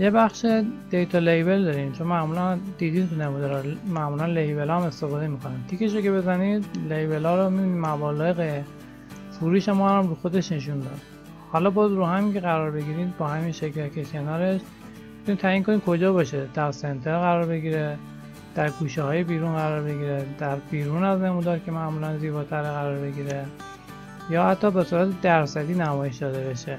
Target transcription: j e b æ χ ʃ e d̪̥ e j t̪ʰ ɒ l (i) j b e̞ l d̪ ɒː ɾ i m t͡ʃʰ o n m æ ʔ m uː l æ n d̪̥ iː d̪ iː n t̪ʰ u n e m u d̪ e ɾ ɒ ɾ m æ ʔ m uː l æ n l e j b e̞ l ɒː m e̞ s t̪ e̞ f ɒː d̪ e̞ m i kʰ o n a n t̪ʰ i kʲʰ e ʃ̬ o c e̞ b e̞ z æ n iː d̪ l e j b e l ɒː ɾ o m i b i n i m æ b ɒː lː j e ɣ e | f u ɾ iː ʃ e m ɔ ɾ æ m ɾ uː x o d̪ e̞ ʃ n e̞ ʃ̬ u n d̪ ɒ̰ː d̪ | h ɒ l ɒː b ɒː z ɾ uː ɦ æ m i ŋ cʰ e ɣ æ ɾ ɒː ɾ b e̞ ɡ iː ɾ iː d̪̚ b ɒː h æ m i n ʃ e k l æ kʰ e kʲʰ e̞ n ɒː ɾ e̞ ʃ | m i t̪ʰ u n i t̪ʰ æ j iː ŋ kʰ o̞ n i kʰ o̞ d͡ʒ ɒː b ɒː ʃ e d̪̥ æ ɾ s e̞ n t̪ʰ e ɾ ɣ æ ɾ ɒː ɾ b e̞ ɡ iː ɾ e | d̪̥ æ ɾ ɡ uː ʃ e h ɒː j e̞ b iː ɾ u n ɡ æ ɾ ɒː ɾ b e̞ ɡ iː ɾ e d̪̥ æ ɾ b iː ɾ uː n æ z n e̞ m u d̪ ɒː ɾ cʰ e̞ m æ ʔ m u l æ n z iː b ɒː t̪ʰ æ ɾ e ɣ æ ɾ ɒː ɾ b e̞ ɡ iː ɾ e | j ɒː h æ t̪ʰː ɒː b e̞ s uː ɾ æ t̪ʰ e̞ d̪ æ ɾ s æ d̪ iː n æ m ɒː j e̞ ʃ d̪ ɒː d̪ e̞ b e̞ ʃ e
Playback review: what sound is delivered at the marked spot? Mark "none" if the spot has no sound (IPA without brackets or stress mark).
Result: e